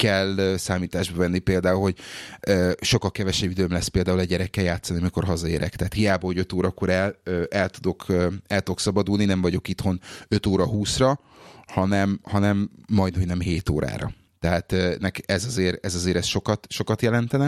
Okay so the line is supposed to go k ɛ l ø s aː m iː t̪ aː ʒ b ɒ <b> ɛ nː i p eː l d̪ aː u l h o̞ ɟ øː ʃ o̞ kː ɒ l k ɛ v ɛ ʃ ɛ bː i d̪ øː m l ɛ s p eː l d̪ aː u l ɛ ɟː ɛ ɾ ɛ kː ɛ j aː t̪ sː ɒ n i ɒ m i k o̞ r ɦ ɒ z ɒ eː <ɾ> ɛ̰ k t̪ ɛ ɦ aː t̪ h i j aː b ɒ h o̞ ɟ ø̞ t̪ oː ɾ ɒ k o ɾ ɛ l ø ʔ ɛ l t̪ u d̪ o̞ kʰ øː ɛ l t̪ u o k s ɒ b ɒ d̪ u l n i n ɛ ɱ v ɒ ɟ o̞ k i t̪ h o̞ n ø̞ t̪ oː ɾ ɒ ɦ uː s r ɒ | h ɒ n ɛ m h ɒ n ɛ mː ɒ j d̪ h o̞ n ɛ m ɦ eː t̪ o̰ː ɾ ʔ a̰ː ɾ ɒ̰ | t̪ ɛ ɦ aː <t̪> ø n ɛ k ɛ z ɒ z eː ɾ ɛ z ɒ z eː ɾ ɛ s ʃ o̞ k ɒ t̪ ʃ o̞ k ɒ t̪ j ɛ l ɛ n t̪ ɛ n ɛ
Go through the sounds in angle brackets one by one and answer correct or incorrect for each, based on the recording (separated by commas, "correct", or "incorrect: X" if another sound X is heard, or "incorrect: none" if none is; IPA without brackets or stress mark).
incorrect: v, correct, correct